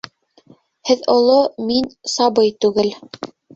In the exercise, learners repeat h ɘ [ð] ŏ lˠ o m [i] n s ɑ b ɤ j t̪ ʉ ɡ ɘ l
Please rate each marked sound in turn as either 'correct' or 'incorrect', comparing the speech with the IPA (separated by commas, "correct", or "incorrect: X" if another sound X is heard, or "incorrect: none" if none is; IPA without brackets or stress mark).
correct, correct